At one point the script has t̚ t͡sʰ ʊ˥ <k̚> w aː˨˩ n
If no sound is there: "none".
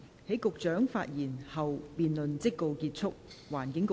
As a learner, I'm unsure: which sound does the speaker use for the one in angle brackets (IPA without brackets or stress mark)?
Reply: k̚